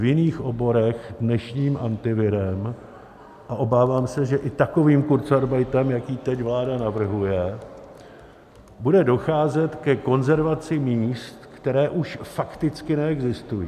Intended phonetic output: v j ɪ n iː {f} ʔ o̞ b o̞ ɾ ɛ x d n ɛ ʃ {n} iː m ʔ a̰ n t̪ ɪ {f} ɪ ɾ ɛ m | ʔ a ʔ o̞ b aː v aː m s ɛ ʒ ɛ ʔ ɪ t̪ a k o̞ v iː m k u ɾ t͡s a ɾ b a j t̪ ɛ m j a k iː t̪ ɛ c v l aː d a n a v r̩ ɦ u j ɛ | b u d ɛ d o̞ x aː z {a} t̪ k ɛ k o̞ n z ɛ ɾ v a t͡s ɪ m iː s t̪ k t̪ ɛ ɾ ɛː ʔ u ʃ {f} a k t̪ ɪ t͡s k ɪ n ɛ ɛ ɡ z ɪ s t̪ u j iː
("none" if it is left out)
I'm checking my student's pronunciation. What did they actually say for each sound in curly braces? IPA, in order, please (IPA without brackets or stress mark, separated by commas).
x, ɲ, v, ɛ, f